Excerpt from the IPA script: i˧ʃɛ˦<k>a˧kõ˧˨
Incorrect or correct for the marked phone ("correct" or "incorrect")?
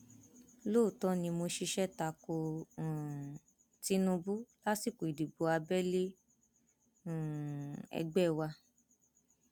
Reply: incorrect